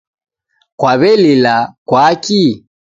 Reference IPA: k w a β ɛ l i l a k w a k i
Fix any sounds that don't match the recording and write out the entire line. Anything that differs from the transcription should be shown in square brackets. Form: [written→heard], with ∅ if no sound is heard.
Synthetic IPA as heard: k w a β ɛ l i l a k w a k i